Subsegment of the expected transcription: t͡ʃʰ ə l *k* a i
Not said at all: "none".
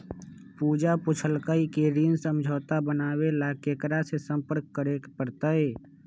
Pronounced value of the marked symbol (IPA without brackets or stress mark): k